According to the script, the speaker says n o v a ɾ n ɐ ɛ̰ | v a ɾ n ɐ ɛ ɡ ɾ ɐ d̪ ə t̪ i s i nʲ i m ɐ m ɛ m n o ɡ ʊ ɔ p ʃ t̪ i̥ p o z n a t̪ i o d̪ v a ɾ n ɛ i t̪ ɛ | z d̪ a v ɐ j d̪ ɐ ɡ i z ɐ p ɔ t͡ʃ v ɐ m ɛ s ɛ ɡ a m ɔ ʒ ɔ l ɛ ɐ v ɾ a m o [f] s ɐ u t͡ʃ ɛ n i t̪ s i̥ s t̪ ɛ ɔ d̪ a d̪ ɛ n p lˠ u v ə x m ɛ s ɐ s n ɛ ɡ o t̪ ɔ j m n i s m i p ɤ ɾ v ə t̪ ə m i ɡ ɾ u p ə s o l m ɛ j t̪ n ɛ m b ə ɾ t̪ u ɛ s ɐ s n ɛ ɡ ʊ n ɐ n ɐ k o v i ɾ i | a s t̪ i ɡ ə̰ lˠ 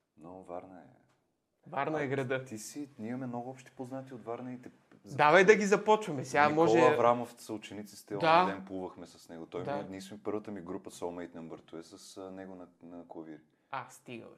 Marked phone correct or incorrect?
correct